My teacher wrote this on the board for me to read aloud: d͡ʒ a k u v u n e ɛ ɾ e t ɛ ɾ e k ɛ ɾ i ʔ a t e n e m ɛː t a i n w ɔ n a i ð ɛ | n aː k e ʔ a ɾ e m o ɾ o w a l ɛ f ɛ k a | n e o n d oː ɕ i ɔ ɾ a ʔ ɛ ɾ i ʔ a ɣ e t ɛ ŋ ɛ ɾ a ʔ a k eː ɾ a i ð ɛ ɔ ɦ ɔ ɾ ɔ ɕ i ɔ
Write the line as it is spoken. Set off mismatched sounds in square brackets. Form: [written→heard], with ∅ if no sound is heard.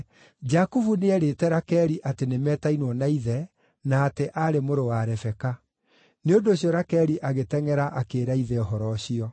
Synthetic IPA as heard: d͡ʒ a k u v u n e ɛ ɾ e t ɛ ɾ [e→a] k ɛ ɾ i ʔ a t e n e m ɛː t a i n w ɔ n a i ð ɛ | n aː [k→t] e ʔ a ɾ e m o ɾ o w a [l→ɾ] ɛ f ɛ k a | n e o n d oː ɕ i ɔ ɾ a [ʔ→k] ɛ ɾ i ʔ a ɣ e t ɛ ŋ ɛ ɾ a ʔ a k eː ɾ a i ð ɛ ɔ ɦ ɔ ɾ ɔ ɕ i ɔ